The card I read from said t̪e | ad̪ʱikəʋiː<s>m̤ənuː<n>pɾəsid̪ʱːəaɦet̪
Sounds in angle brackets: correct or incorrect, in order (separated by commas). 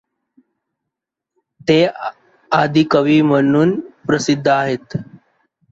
incorrect, correct